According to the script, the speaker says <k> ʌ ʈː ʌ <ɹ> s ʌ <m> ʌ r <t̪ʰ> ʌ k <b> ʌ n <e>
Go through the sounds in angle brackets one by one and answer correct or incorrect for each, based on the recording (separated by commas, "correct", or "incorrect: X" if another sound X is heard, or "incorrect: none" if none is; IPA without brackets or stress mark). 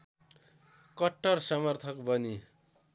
correct, incorrect: r, correct, correct, correct, incorrect: i